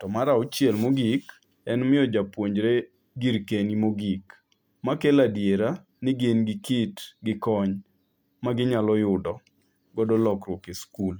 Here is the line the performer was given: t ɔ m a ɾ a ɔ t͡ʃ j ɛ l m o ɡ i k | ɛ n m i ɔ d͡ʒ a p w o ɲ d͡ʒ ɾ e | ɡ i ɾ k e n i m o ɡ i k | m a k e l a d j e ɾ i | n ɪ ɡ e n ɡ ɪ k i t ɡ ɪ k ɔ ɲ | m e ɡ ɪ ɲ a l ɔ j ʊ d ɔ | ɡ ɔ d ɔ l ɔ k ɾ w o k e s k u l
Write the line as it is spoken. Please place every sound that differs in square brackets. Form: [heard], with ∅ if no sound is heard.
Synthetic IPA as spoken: t ɔ m a ɾ a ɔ t͡ʃ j ɛ l m o ɡ i k | ɛ n m [ɪ] ɔ d͡ʒ a p w o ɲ d͡ʒ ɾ e | ɡ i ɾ k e n i m o ɡ i k | m a k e l a d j e ɾ [a] | n ɪ ɡ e n ɡ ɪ k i t ɡ ɪ k ɔ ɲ | m [a] ɡ ɪ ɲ a l ɔ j ʊ d ɔ | ɡ ɔ d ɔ l ɔ k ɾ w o k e s k u l